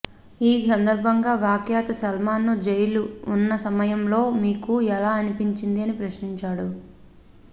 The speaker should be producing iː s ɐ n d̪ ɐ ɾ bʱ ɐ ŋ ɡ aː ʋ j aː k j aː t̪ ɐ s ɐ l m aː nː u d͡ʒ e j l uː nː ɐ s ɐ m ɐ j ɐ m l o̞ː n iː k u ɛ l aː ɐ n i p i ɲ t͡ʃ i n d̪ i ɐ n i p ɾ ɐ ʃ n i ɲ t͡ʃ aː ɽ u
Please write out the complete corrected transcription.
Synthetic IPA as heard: iː s ɐ n d̪ ɐ ɾ bʱ ɐ ŋ ɡ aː ʋ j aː k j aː t̪ ɐ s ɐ l m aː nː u d͡ʒ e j l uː nː ɐ s ɐ m ɐ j ɐ m l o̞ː m iː k u ɛ l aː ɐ n i p i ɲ t͡ʃ i n d̪ i ɐ n i p ɾ ɐ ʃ n i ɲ t͡ʃ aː ɽ u

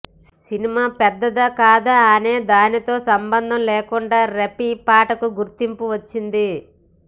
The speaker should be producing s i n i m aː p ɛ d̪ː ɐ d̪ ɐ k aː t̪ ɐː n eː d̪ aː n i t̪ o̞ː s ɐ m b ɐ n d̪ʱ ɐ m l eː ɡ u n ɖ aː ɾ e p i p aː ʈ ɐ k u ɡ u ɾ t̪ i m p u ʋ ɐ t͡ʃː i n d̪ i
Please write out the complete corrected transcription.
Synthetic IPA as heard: s i n i m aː p ɛ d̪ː ɐ d̪ ɐ k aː d̪ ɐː n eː d̪ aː n i t̪ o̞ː s ɐ m b ɐ n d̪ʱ ɐ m l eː k u ɳ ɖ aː ɾ e p i p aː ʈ ɐ k u ɡ u ɾ t̪ i m p u ʋ ɐ t͡ʃː i n d̪ i

